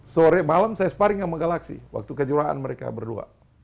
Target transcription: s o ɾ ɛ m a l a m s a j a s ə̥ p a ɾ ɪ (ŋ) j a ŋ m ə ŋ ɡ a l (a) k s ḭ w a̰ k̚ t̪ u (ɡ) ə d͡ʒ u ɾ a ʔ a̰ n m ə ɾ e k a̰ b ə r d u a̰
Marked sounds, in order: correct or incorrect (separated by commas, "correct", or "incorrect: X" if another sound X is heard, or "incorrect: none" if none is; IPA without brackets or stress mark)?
correct, correct, incorrect: k